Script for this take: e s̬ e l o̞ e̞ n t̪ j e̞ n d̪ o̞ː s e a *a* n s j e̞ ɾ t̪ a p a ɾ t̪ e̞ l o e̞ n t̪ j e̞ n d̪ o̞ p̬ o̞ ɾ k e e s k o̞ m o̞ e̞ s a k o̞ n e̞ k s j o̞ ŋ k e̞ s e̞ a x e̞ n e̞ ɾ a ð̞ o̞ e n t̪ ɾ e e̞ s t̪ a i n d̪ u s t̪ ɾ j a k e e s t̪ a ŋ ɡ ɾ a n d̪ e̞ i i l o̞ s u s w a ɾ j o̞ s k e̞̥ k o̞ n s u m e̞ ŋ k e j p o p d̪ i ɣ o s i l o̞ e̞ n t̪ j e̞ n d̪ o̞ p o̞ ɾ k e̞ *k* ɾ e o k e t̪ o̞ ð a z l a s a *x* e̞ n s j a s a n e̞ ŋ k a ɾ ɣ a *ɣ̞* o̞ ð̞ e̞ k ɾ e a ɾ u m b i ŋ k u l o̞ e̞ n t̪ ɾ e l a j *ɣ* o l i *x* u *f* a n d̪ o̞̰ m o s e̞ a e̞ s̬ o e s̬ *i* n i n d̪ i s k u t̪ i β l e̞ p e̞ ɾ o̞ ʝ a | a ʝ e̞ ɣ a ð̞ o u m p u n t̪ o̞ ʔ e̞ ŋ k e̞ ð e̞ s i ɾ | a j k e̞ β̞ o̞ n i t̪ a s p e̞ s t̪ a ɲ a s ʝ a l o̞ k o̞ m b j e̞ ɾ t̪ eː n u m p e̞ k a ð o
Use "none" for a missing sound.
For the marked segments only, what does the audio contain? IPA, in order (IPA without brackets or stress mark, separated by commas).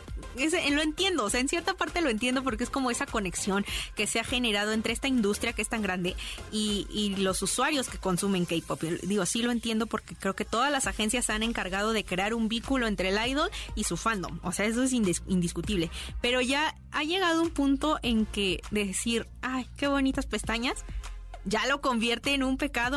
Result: e, k, x, ð̞, ð, s, f, i